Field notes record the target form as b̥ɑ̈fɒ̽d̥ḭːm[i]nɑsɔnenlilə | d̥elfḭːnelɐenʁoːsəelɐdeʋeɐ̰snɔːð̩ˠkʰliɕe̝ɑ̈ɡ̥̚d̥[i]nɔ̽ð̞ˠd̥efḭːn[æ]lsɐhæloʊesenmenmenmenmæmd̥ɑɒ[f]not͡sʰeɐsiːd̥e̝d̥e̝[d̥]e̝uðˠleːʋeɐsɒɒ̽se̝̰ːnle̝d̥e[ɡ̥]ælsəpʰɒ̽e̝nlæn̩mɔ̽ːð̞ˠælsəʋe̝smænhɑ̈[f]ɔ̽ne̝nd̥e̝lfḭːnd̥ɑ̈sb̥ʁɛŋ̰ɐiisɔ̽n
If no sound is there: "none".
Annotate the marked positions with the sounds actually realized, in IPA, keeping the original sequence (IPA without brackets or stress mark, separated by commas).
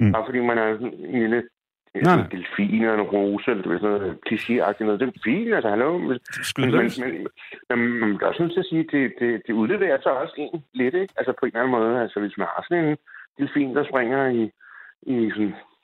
æ, i, æ, s, d̥, ɡ̥, s